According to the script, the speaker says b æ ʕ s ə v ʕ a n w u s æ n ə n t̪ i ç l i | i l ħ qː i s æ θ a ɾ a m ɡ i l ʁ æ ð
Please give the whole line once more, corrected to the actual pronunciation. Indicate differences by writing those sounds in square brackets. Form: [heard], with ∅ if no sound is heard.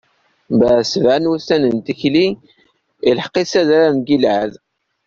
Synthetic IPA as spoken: b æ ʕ s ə v ʕ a n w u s æ n ə n t̪ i ç l i | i l ħ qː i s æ [ð] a ɾ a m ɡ i l [ʕ] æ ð